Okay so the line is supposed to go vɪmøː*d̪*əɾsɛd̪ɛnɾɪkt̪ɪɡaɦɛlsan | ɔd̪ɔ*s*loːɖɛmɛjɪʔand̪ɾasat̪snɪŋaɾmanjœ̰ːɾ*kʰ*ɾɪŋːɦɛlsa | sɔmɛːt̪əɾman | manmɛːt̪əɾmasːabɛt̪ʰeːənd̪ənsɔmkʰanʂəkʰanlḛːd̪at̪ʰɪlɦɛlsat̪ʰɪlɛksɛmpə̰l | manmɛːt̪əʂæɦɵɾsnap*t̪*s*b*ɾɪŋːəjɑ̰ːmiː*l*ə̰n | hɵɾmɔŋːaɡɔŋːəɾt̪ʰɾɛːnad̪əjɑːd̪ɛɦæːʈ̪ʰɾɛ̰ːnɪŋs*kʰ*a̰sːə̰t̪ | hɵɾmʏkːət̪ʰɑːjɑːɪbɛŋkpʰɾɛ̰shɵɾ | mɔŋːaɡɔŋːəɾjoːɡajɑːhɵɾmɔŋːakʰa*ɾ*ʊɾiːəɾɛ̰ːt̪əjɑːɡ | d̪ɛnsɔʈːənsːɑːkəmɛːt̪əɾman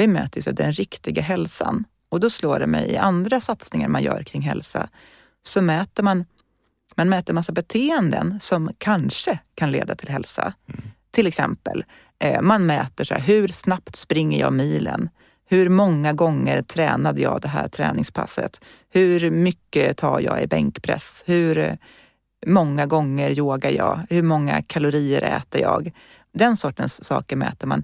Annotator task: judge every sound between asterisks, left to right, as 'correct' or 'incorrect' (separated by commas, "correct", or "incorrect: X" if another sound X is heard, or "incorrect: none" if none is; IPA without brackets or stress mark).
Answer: incorrect: t̪, correct, correct, correct, incorrect: p, correct, incorrect: pʰ, incorrect: l